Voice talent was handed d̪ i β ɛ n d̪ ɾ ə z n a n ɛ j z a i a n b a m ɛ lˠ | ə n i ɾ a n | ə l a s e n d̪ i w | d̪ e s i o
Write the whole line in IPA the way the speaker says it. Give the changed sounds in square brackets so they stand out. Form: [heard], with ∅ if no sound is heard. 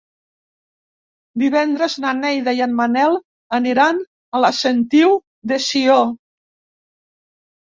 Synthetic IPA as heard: d̪ i β ɛ n d̪ ɾ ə z n a n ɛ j [ð] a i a n [m] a [n] ɛ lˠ | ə n i ɾ a n | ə l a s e n [t̪] i w | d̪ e s i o